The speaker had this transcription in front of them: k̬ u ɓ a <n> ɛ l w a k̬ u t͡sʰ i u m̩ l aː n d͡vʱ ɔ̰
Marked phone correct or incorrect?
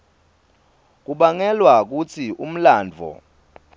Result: incorrect